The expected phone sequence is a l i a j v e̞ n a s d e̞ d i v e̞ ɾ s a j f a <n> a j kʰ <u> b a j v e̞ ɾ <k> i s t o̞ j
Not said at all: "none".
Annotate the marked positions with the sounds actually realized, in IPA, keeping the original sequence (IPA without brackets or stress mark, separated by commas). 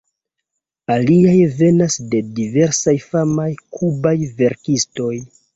m, u, k